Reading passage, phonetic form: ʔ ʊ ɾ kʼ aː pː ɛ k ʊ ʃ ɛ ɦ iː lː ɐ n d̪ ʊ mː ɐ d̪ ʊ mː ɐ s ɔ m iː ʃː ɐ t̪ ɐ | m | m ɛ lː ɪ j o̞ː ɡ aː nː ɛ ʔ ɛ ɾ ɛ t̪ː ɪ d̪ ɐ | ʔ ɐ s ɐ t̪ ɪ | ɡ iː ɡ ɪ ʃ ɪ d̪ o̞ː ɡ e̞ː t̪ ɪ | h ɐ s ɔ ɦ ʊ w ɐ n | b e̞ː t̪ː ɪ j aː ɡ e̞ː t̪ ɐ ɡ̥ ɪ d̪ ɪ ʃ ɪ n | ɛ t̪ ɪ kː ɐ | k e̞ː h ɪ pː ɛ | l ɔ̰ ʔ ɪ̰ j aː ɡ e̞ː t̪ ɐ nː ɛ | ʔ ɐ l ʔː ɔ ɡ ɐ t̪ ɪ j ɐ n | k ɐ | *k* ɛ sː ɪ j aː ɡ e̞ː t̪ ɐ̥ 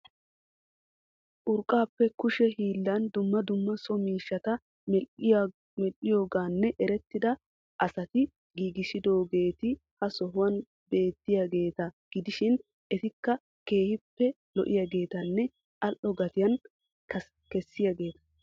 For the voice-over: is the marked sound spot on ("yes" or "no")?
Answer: yes